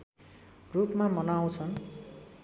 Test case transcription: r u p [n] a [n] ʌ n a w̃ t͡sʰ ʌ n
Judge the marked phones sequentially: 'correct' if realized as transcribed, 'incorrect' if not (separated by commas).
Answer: incorrect, incorrect